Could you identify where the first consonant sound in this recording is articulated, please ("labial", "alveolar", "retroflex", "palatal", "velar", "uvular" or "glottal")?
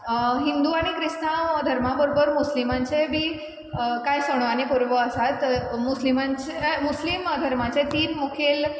glottal